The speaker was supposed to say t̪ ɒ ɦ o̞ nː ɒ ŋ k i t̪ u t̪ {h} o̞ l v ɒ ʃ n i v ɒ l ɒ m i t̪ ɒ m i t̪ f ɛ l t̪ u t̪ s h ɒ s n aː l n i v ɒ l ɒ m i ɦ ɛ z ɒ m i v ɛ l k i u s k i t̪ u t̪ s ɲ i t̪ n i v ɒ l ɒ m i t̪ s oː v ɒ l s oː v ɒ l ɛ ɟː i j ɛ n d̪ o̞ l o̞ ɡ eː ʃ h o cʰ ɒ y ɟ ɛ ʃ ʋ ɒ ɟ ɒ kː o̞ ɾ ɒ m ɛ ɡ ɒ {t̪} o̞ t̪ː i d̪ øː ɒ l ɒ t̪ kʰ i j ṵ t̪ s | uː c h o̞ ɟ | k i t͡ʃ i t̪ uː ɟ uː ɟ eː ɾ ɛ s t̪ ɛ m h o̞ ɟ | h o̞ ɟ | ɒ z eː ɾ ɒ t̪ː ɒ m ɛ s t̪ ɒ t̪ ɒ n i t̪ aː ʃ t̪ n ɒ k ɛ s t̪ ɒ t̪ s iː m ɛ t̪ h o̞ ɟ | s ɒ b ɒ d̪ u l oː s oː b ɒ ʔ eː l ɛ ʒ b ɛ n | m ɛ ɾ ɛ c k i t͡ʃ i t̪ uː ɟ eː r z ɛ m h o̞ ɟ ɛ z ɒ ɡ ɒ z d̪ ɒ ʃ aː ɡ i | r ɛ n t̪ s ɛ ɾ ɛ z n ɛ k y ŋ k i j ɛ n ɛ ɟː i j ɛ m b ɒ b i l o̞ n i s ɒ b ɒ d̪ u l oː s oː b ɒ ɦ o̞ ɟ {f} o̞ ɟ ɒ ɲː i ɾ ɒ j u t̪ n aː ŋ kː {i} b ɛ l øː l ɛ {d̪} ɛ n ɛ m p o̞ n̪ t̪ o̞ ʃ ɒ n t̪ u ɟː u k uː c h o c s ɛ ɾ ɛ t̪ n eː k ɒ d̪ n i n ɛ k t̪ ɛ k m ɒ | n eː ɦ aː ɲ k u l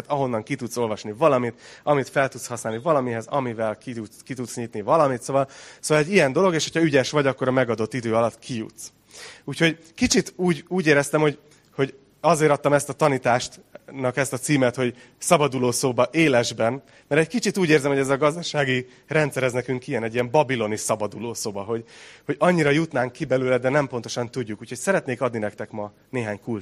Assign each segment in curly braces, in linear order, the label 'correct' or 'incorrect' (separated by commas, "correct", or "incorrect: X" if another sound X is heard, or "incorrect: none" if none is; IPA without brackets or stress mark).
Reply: incorrect: s, incorrect: d̪, incorrect: h, correct, correct